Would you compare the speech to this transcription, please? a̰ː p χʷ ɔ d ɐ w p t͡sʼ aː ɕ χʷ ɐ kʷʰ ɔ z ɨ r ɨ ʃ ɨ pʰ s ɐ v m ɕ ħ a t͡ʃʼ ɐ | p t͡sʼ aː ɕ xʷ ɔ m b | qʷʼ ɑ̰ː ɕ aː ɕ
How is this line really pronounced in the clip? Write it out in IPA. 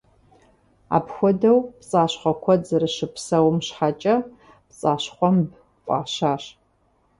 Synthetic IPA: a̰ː p xʷ ɔ d ɐ w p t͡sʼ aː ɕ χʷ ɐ kʷʰ ɔ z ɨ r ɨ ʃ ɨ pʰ s ɐ w m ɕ ħ a t͡ʃʼ ɐ | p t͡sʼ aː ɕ χʷ ɔ m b | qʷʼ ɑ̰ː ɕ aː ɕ